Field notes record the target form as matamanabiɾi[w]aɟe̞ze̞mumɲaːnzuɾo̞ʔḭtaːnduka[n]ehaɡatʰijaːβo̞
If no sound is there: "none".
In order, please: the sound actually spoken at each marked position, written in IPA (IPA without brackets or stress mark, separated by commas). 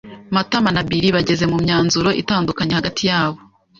β, ɲ